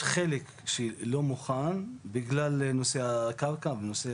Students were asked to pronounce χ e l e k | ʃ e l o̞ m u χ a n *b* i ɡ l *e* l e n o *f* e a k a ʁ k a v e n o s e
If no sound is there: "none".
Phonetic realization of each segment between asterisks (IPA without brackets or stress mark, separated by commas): b, a, s